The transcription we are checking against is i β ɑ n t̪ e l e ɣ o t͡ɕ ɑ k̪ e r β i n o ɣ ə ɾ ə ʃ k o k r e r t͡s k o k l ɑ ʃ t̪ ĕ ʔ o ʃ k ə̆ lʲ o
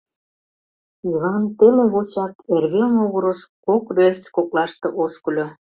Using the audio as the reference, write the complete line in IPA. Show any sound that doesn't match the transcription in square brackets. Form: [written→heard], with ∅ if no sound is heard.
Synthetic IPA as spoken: i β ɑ n t̪ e l e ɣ o t͡ɕ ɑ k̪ e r β [i→e] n o ɣ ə ɾ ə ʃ k o k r e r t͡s k o k l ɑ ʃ t̪ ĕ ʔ o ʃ k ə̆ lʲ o